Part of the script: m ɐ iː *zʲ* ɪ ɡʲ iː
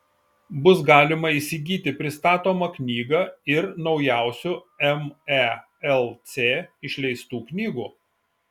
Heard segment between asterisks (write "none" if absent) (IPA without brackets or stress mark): sʲ